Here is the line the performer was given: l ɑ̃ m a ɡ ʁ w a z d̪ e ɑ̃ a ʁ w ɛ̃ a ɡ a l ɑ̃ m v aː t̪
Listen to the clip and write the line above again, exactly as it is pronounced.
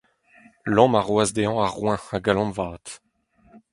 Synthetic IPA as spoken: l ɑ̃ m a ʁ w a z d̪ e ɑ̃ a ʁ w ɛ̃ a ɡ a l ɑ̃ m v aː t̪

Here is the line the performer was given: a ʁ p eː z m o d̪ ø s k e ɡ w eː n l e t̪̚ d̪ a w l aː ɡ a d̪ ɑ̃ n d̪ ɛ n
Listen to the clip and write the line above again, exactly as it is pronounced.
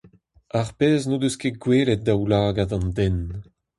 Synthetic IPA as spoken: a ʁ p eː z n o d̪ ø s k e ɡ w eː l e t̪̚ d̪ a w l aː ɡ a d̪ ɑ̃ n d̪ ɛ n

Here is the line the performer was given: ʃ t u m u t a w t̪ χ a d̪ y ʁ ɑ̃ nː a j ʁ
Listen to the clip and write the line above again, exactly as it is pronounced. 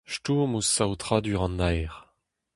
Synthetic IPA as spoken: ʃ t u m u s a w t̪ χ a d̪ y ʁ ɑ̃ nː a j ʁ

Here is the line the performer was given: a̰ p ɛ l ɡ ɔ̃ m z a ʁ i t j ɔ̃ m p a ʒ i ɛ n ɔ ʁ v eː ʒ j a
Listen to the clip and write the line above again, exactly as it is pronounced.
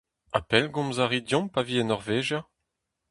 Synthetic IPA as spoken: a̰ p ɛ l ɡ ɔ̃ m z a ʁ i d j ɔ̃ m p a v i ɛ n ɔ ʁ v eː ʒ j a

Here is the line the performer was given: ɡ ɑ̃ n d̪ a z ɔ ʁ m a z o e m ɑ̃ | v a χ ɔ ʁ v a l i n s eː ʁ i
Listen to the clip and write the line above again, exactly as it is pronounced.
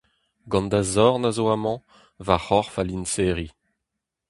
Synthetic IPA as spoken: ɡ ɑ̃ n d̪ a z ɔ ʁ n a z o a m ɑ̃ | v a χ ɔ ʁ f a l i n s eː ʁ i

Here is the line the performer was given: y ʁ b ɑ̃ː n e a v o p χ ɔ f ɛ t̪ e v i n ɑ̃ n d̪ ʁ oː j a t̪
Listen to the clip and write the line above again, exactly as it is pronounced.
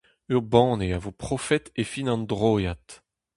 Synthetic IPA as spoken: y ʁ b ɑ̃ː n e a v o p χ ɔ f ɛ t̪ e f i n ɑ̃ n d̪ ʁ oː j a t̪

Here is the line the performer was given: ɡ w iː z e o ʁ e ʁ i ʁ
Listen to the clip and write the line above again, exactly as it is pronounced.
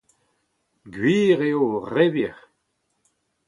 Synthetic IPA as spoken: ɡ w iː ʁ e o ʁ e v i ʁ

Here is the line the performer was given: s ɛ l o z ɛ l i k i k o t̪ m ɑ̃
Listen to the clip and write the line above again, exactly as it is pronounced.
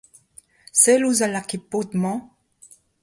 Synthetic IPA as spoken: s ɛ l u z a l a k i p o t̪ m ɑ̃

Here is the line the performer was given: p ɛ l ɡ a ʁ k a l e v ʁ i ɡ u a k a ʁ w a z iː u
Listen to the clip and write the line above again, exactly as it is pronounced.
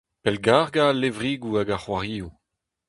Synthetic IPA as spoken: p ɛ l ɡ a ʁ ɡ a l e v ʁ i ɡ u a ɡ a χ w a ʁ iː u

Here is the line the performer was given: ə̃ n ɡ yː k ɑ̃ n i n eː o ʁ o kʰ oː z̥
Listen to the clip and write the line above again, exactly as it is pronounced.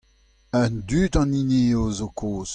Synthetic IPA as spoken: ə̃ n d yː t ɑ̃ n i n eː o z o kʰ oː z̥

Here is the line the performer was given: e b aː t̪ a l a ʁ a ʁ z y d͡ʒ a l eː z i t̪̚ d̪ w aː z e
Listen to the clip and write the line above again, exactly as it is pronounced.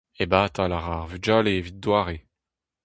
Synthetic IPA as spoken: e b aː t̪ a l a ʁ a ʁ v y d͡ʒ a l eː v i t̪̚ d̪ w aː ʁ e

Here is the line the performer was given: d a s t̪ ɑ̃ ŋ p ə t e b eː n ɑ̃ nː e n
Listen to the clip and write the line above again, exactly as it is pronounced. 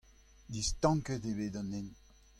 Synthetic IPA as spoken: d i s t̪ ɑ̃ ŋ k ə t e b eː d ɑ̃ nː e n

